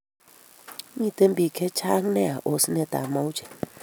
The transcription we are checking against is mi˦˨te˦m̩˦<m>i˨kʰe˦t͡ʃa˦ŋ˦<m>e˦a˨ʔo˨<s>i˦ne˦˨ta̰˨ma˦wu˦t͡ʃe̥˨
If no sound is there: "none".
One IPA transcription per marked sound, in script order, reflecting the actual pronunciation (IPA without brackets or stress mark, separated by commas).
b, n, s